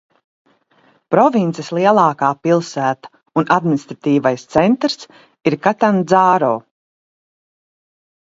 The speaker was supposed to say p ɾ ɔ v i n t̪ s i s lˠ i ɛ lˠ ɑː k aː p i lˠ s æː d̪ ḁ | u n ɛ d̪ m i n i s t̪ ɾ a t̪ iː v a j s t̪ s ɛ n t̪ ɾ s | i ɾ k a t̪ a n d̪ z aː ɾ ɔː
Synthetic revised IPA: p ɾ ɔ v i n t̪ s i s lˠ i ɛ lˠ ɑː k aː p i lˠ s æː t̪ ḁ | u n a d̪ m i n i s t̪ ɾ a t̪ iː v a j s t̪ s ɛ n t̪ ɾ s | i ɾ k a t̪ a n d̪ z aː ɾ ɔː